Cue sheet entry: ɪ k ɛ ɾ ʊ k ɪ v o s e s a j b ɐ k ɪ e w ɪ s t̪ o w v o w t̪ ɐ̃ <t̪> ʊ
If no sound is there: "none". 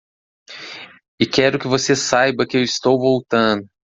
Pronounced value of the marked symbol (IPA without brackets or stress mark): d̪